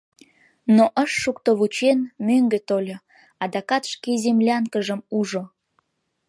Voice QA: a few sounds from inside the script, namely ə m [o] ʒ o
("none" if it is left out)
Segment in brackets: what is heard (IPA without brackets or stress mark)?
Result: u